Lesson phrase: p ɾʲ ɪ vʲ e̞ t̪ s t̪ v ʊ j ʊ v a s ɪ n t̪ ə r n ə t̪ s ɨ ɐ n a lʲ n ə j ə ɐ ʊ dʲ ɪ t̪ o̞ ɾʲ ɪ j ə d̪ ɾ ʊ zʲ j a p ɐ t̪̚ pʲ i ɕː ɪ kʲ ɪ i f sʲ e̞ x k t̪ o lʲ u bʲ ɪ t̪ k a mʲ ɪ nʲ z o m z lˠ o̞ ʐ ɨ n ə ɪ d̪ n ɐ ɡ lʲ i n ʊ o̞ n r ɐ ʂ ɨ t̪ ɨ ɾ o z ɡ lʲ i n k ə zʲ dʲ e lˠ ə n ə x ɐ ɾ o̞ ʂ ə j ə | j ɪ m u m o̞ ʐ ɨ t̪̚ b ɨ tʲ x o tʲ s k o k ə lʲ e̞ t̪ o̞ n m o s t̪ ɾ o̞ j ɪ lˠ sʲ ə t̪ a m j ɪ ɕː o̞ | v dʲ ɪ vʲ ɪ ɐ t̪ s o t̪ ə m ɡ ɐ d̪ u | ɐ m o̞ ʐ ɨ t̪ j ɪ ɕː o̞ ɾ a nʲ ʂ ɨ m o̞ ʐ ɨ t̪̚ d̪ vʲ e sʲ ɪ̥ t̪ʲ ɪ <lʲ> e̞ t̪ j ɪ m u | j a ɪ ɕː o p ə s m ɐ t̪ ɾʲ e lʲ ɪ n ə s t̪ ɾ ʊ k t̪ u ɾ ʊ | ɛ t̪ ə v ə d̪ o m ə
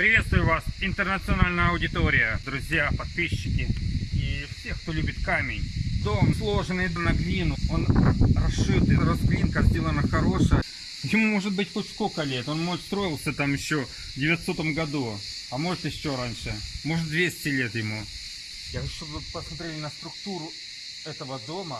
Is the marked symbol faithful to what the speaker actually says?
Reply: yes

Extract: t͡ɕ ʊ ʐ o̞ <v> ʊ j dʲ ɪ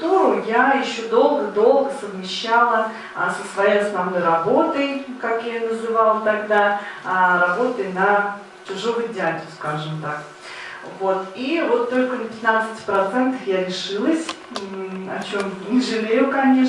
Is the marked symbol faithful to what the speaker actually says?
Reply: yes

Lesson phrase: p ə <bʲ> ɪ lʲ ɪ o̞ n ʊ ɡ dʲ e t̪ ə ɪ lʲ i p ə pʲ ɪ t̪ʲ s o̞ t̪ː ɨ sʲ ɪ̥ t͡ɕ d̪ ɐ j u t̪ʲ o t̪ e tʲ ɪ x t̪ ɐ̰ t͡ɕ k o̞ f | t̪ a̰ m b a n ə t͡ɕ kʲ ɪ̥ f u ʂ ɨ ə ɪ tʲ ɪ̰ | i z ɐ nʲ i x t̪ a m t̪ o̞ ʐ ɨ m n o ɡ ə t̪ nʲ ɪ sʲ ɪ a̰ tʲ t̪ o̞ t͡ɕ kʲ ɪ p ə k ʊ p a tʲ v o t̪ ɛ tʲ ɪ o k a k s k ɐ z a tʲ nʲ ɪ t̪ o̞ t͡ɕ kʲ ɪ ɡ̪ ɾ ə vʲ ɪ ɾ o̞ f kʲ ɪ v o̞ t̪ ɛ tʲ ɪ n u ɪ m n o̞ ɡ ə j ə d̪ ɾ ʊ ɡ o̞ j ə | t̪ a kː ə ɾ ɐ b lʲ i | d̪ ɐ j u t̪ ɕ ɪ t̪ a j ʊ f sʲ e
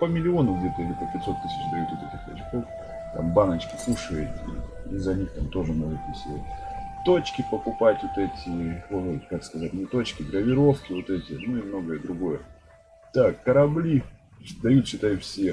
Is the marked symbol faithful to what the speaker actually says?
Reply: no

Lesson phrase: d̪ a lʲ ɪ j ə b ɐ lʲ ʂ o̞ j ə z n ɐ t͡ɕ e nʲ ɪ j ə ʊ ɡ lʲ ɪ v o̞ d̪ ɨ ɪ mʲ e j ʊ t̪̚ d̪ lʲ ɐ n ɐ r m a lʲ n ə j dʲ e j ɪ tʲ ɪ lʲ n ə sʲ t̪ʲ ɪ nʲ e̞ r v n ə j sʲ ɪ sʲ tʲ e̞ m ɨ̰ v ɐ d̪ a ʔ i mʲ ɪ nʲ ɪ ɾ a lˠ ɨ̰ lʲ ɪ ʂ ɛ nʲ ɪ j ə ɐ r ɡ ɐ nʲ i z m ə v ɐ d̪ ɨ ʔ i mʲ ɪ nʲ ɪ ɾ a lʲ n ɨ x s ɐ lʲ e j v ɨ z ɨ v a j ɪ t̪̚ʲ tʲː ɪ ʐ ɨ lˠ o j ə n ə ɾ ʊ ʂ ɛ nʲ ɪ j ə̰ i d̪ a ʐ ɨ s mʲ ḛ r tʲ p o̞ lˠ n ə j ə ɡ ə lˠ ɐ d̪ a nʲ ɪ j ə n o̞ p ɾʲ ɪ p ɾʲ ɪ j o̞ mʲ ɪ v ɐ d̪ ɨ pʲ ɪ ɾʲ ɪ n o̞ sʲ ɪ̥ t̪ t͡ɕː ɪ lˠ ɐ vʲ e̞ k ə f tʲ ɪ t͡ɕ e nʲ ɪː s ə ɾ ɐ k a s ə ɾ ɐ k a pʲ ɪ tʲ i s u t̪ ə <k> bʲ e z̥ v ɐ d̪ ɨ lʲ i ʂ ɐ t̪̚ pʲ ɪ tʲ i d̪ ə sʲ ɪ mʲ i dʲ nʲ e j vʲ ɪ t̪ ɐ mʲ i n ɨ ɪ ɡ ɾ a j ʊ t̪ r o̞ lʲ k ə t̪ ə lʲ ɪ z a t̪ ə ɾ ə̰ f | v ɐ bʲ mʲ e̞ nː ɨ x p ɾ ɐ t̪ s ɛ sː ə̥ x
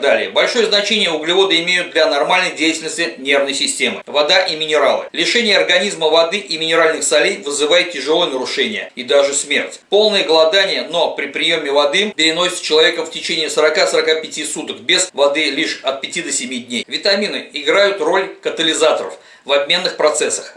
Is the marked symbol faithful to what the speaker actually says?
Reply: yes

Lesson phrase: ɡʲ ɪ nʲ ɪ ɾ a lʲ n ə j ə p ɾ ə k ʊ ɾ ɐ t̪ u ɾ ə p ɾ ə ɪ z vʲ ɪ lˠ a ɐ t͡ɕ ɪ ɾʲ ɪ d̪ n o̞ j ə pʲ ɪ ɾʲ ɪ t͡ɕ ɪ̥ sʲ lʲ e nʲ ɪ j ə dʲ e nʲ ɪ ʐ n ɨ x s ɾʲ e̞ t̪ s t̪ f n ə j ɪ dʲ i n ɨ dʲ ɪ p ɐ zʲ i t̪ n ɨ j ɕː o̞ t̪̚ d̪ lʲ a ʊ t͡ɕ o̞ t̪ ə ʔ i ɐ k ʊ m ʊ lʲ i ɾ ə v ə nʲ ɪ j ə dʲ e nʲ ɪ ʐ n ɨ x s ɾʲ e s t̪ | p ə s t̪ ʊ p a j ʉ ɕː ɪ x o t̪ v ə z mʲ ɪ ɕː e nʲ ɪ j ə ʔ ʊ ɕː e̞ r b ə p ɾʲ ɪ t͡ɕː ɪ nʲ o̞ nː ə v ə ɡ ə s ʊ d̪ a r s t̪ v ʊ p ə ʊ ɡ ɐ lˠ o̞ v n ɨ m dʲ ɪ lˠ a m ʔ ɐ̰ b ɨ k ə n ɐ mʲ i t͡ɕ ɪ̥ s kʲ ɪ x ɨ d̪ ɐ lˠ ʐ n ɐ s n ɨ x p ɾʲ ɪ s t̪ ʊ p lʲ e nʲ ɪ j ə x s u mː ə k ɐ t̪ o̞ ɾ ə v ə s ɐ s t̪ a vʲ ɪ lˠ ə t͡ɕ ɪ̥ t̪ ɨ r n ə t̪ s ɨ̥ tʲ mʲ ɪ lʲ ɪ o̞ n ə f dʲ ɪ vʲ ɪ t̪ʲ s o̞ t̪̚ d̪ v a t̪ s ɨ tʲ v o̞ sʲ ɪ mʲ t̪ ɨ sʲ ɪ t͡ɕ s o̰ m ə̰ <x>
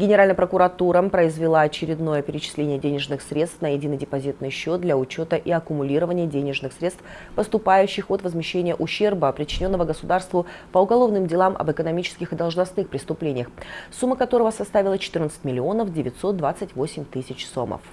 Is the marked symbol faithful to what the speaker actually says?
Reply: no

